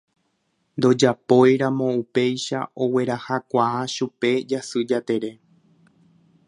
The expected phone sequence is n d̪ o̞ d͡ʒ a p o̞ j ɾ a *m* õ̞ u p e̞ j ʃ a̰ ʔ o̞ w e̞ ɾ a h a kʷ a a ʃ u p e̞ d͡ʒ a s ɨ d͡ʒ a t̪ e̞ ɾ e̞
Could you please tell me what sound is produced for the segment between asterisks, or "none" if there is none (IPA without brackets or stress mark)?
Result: m